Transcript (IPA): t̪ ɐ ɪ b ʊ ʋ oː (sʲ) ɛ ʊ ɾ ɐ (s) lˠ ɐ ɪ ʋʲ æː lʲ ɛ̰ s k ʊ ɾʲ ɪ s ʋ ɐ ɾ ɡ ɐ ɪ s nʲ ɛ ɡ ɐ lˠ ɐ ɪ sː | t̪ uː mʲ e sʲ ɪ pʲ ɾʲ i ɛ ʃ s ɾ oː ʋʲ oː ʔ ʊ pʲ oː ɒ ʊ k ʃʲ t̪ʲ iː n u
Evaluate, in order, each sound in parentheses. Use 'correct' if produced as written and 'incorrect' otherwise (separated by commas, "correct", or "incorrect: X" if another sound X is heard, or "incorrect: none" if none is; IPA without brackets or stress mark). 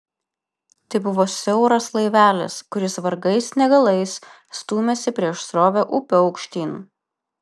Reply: correct, correct